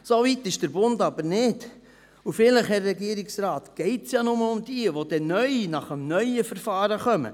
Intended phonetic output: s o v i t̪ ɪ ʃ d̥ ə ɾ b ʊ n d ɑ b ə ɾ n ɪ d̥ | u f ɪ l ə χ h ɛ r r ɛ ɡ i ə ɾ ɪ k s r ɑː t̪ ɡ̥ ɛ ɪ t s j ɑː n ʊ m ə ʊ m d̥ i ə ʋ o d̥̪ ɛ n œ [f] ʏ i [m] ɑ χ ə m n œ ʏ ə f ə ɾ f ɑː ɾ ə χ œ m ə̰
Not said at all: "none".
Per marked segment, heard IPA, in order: none, n

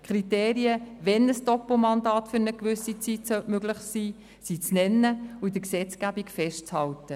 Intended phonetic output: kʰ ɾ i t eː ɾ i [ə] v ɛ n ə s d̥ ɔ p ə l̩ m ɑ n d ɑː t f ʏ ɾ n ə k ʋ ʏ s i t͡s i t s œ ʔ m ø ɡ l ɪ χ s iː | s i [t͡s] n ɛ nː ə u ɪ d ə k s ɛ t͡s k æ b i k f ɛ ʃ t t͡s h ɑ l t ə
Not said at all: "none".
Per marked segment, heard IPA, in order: ə, t͡s

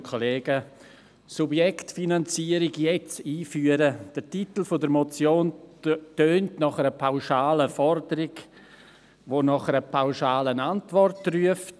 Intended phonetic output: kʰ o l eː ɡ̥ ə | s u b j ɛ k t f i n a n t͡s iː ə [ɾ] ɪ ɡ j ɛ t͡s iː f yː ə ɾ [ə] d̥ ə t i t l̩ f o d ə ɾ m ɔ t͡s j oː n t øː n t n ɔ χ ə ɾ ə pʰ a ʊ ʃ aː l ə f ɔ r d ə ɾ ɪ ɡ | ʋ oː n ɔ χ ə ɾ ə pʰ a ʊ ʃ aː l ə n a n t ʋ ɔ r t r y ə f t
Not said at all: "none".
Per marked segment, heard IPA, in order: ɾ, ə

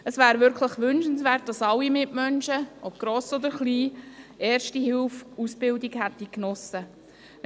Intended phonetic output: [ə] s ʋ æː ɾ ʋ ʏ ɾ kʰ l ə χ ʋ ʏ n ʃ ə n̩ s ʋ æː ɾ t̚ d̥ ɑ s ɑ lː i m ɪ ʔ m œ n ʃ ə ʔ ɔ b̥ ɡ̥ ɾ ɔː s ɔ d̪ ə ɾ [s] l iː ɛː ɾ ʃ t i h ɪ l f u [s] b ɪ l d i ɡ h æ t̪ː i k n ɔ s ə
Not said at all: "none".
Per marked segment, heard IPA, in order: ə, χ, s

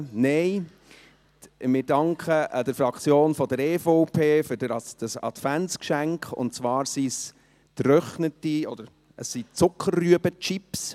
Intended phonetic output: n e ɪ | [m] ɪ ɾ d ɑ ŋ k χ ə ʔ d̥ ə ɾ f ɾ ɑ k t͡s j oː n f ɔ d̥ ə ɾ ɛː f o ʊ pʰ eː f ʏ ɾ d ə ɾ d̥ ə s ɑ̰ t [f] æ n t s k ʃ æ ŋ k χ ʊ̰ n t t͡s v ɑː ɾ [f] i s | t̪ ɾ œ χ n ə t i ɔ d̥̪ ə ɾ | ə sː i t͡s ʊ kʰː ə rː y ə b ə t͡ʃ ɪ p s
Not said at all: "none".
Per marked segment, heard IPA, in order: m, f, s

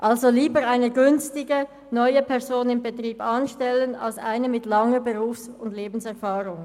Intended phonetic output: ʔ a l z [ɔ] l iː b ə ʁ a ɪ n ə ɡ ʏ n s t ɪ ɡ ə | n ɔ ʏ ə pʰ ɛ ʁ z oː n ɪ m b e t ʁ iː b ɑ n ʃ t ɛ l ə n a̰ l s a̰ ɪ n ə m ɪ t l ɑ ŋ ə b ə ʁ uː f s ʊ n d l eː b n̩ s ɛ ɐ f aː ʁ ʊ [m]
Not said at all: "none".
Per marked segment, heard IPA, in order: o, ŋ

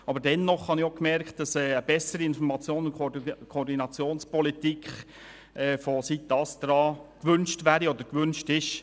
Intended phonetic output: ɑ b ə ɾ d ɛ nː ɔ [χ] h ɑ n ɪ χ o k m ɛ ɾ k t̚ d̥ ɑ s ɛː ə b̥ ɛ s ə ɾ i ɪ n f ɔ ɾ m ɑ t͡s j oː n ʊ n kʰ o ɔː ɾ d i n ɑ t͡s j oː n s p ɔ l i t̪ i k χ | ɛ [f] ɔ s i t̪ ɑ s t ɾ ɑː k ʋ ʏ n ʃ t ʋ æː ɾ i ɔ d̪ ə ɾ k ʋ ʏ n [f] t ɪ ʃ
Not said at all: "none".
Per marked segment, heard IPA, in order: χ, f, ʃ

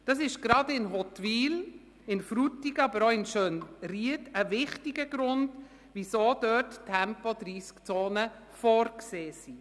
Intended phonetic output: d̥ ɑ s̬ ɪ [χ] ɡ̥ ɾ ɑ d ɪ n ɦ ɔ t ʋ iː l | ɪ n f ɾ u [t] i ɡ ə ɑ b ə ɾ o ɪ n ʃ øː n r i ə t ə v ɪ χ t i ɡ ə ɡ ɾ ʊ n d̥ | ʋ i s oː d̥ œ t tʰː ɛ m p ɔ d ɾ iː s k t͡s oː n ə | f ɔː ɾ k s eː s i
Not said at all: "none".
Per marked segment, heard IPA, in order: ʃ, t

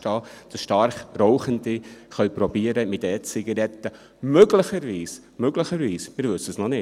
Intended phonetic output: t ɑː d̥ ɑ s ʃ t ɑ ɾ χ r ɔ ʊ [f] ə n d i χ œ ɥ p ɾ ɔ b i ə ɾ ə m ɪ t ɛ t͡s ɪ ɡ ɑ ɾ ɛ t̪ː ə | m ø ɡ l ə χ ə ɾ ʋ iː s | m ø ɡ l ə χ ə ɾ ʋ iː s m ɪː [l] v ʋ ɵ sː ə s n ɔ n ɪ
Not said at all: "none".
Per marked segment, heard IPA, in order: χ, ɾ

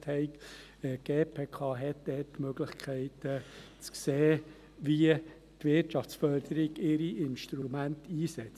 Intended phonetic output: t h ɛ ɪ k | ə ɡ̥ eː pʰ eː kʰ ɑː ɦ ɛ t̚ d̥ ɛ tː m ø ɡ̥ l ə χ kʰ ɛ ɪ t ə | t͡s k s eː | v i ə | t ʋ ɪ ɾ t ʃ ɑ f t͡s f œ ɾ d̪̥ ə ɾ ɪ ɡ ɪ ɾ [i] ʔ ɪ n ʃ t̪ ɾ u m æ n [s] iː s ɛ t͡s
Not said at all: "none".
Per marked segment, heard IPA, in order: i, t

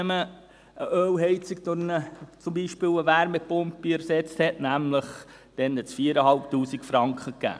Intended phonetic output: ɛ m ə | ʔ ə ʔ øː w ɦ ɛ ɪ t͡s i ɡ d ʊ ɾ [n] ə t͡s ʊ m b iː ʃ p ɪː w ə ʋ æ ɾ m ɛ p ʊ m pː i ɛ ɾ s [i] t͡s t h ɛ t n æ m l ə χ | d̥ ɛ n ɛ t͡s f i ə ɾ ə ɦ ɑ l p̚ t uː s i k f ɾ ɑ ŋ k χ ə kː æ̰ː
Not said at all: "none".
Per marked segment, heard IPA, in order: n, ɛ

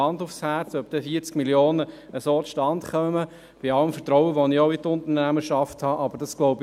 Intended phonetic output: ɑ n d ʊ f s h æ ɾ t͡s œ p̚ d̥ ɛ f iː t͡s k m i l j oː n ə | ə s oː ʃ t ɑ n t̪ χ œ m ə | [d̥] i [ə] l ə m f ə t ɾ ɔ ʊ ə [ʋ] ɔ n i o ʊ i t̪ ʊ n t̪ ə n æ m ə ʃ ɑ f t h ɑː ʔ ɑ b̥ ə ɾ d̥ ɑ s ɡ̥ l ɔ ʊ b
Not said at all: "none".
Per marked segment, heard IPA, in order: b̥, ɑ, ʋ

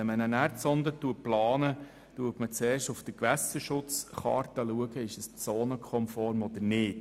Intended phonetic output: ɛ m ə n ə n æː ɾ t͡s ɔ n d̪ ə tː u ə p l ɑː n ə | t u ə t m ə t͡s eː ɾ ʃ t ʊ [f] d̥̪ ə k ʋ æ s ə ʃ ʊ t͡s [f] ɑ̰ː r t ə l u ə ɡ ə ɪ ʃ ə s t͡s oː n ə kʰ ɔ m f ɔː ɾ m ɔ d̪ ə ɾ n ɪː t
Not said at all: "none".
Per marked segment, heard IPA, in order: f, χ

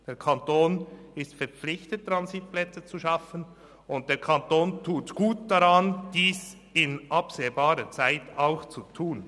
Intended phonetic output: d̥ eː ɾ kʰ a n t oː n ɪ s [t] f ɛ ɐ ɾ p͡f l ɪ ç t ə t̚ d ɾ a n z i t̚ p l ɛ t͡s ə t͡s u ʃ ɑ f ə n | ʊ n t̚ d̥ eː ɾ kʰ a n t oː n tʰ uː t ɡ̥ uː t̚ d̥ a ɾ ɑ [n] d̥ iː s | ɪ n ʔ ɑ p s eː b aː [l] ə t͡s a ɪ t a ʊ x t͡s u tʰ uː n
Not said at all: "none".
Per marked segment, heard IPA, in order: t, n, ɾ

